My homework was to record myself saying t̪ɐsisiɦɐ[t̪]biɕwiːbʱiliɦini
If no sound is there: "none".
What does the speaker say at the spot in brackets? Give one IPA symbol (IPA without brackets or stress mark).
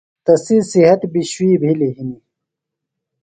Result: t̪